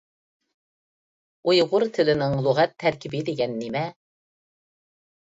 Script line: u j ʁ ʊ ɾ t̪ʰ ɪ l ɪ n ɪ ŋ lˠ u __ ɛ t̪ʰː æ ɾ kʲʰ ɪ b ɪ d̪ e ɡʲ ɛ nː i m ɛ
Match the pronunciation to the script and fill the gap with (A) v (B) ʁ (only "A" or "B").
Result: B